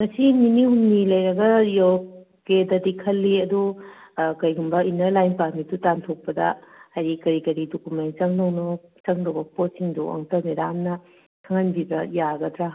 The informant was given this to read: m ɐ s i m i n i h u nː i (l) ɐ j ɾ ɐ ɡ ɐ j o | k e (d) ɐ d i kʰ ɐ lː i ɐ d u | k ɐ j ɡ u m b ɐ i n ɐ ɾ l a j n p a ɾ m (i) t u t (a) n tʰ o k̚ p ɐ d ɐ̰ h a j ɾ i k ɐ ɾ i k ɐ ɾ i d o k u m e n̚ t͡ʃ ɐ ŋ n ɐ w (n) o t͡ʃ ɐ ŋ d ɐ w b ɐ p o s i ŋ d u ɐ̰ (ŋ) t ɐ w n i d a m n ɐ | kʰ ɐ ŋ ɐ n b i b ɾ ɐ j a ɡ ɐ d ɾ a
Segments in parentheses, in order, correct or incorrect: correct, correct, correct, correct, correct, correct

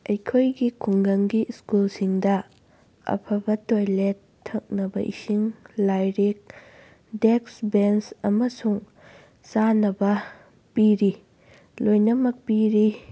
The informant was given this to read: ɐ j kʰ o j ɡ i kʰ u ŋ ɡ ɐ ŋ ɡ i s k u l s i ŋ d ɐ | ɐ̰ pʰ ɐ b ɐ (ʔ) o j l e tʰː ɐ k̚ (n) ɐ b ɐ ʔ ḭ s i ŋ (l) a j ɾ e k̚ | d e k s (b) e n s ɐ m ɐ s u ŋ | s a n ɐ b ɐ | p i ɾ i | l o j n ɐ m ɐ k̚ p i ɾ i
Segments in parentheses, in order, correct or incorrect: incorrect, correct, correct, correct

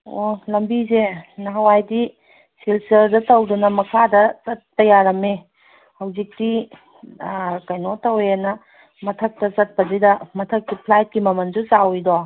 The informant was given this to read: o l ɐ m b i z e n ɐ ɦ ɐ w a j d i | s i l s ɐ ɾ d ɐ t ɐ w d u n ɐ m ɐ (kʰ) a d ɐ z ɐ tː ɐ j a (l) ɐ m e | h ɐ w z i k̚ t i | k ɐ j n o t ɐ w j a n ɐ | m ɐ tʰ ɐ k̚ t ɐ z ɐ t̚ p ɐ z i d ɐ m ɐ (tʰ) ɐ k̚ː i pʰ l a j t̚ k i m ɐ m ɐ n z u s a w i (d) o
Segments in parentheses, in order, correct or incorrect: correct, incorrect, correct, correct

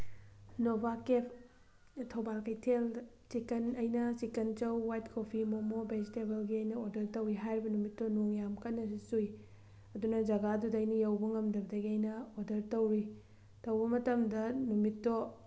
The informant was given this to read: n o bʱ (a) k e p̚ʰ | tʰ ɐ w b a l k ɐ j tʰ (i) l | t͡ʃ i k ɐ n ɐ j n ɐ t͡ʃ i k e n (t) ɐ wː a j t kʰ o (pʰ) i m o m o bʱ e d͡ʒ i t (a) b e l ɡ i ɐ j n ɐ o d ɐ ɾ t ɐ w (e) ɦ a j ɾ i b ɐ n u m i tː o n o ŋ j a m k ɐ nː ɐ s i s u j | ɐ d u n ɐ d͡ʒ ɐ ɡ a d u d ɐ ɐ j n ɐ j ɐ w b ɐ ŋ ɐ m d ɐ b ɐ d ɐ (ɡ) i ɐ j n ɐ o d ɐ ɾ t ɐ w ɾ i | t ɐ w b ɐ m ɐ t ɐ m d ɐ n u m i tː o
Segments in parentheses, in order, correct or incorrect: correct, incorrect, incorrect, correct, incorrect, incorrect, correct

